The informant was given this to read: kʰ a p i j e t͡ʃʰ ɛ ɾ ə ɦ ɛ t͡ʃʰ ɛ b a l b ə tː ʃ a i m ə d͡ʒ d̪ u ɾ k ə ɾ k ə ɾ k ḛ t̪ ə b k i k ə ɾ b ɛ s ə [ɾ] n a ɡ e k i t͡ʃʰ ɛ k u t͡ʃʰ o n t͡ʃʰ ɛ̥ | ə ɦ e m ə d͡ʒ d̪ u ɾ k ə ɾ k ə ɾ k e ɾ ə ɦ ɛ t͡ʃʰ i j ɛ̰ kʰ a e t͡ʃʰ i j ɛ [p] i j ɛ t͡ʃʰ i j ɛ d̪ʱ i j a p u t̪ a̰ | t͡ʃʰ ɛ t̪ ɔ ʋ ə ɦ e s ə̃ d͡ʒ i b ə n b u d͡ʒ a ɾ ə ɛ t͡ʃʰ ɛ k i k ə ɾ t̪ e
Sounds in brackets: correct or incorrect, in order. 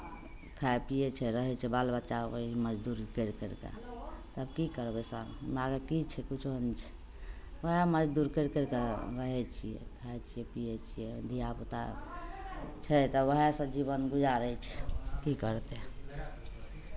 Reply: correct, correct

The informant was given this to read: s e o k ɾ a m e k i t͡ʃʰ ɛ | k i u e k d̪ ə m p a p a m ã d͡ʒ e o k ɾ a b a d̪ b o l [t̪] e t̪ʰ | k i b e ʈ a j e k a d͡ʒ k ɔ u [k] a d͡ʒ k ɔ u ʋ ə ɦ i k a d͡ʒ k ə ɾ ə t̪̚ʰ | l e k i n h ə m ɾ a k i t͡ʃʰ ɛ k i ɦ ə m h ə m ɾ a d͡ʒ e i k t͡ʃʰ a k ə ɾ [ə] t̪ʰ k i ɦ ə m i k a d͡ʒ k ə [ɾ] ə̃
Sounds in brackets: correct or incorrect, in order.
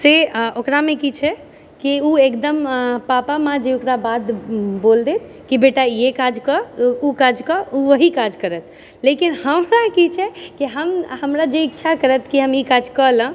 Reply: incorrect, correct, correct, incorrect

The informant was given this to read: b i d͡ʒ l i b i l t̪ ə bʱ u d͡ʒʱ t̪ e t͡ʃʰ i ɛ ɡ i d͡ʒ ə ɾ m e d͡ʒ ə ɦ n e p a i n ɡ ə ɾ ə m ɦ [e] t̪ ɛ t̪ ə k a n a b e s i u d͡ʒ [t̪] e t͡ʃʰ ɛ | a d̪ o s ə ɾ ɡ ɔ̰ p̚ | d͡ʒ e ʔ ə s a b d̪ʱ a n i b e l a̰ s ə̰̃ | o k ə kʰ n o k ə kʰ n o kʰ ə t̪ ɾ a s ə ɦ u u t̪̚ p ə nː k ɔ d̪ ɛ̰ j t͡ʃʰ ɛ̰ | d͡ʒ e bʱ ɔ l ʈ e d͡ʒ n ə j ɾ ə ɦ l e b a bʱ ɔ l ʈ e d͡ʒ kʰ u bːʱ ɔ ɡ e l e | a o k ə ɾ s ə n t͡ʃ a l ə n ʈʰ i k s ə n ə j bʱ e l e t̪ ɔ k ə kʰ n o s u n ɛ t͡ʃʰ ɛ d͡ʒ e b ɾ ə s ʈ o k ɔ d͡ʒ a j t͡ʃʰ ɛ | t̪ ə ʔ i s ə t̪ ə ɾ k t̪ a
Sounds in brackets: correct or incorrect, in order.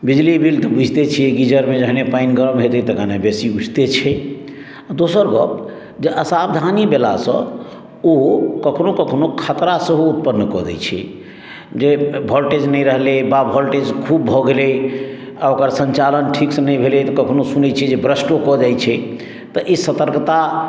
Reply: correct, correct

